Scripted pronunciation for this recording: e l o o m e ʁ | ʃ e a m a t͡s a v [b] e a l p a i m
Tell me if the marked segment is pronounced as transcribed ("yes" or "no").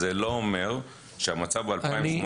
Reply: yes